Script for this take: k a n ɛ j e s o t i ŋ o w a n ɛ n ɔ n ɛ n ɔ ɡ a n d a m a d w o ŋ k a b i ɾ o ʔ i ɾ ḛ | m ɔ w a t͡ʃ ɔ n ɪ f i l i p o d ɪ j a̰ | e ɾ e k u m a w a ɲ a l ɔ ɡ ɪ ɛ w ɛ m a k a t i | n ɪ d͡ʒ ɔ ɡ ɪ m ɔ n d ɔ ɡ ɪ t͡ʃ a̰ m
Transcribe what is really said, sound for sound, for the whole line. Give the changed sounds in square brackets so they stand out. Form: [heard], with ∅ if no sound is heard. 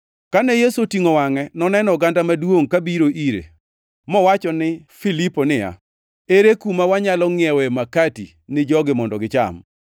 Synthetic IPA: k a n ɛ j e s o t i ŋ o w a [ŋ] ɛ n ɔ n ɛ n ɔ ɡ a n d a m a d w o ŋ k a b i ɾ o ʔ i ɾ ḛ | m ɔ w a t͡ʃ ɔ n ɪ f i l i p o [n] ɪ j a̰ | e ɾ e k u m a w a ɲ a l ɔ [ŋ] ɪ ɛ w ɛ m a k a t i | n ɪ d͡ʒ ɔ ɡ ɪ m ɔ n d ɔ ɡ ɪ t͡ʃ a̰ m